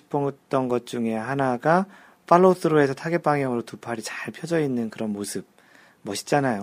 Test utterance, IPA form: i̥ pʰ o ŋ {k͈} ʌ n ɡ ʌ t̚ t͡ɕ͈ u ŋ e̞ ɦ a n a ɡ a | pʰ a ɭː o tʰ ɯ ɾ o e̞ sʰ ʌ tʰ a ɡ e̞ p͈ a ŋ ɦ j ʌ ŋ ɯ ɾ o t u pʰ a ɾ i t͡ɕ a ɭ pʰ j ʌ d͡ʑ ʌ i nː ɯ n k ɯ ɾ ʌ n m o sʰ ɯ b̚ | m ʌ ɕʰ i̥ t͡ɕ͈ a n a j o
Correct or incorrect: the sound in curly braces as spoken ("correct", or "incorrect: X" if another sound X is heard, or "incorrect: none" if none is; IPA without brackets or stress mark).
incorrect: t͈